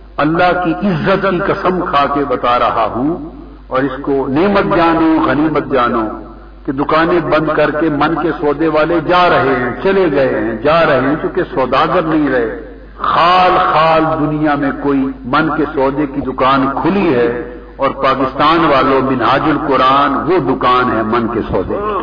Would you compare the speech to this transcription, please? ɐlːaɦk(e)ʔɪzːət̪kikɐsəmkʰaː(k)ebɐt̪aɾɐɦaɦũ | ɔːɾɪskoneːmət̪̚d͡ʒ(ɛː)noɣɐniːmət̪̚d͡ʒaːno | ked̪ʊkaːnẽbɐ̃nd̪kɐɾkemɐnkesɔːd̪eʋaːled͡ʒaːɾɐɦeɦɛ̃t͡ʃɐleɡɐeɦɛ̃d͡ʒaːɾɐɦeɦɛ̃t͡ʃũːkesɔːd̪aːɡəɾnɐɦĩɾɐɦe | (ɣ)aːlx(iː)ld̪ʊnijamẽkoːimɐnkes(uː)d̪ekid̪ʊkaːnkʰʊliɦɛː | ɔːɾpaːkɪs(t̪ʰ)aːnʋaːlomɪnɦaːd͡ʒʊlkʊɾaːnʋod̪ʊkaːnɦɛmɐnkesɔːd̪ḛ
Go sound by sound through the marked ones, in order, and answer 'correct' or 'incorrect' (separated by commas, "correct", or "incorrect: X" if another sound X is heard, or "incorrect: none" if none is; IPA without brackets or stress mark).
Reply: incorrect: i, correct, incorrect: aː, incorrect: x, incorrect: aː, incorrect: ɔː, incorrect: t̪